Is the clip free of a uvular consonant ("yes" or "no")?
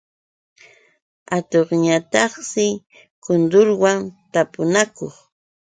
no